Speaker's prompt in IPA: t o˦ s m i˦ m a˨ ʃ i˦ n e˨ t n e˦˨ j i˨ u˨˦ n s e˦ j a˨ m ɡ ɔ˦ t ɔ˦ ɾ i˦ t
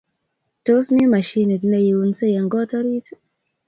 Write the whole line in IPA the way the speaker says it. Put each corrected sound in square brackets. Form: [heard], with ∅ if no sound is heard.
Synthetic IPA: t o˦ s m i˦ m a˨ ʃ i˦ n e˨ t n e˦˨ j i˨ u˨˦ n s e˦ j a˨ [ŋ] ɡ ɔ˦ t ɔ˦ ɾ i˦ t